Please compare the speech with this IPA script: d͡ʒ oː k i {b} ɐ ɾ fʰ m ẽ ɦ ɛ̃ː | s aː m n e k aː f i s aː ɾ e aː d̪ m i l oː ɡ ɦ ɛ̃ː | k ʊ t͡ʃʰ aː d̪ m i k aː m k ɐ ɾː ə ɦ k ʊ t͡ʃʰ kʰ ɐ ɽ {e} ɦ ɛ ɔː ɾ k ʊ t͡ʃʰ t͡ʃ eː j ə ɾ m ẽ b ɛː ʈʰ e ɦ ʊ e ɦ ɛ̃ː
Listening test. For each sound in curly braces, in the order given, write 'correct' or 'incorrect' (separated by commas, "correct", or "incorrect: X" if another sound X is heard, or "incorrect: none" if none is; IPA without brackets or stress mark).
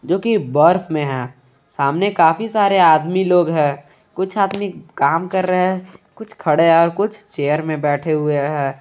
correct, correct